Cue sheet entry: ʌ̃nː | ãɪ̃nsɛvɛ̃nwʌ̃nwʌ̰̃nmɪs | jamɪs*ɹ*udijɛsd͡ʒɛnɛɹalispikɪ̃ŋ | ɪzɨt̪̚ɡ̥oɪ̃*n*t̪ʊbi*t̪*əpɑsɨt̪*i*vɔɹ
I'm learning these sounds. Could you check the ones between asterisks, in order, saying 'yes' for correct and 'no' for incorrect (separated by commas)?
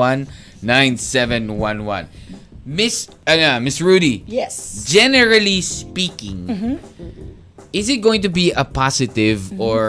yes, no, no, no